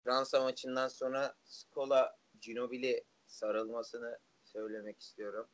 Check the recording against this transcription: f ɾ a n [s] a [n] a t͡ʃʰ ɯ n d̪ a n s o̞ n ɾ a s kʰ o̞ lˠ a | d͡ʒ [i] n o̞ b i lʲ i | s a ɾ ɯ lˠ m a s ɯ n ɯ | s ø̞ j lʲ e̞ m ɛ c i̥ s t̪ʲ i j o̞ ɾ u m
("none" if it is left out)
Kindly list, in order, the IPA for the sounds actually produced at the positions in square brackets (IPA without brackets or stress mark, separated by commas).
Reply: s, m, i